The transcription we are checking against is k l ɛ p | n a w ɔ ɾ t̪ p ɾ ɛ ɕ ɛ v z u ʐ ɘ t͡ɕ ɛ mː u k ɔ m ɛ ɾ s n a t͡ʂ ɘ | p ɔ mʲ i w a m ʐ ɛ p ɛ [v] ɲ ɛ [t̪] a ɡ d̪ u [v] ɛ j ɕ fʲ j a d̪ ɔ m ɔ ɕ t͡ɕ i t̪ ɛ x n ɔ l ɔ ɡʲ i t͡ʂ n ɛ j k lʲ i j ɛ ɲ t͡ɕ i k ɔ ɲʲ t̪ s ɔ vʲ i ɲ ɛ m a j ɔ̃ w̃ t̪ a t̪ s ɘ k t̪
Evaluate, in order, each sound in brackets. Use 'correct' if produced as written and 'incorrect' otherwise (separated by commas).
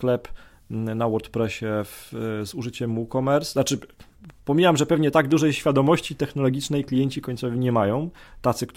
correct, correct, incorrect